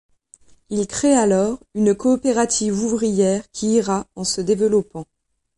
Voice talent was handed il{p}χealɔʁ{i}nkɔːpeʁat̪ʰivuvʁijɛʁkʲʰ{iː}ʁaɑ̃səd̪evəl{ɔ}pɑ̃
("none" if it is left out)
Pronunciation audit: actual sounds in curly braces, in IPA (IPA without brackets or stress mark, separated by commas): k, y, iː, ɔ